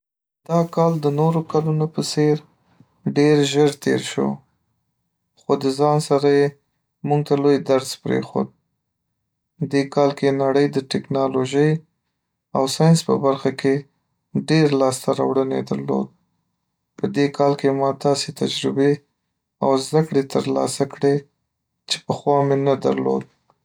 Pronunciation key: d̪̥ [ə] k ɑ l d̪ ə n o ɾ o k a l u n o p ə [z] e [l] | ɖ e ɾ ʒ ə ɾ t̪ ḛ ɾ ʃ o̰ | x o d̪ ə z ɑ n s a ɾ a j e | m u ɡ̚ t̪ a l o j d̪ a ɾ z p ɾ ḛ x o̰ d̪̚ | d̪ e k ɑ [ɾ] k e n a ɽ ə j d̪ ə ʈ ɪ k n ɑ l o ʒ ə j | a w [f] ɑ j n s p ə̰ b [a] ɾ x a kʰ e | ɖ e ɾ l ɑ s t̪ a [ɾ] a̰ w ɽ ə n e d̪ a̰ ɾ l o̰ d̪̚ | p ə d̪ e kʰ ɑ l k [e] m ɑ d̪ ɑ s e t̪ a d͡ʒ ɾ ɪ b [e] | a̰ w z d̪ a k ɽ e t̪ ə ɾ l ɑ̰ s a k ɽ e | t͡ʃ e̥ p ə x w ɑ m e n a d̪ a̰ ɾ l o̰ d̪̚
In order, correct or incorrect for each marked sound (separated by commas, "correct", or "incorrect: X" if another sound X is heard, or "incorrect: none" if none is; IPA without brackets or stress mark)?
incorrect: ɑ, incorrect: s, incorrect: ɾ, incorrect: l, incorrect: s, correct, correct, correct, correct